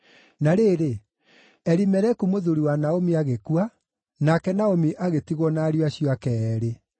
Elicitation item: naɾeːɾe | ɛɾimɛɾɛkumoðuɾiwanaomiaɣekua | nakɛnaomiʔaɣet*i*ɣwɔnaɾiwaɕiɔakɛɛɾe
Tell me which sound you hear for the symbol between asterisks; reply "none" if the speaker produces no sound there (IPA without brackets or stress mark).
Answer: i